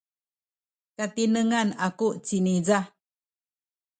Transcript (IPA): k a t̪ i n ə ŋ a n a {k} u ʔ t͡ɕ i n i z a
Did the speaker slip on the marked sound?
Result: no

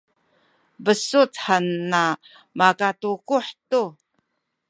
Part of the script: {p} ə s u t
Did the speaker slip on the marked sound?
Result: yes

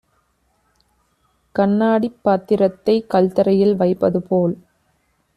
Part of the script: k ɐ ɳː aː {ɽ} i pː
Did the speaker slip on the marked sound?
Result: no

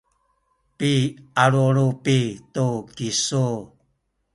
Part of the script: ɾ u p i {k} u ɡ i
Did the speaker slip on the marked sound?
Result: yes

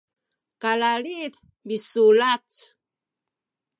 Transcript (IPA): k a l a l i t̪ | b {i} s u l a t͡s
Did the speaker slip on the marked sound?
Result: no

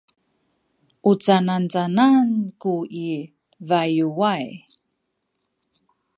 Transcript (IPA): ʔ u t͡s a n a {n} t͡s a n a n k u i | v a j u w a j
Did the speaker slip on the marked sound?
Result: no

